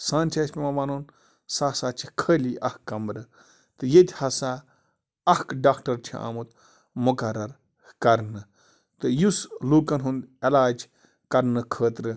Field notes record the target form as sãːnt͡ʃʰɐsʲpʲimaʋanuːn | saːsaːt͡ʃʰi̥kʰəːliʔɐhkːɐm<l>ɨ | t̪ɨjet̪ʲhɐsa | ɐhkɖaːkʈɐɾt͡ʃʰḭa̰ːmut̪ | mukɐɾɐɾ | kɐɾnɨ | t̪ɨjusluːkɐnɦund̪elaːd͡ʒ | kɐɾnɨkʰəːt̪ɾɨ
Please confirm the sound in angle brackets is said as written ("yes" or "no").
no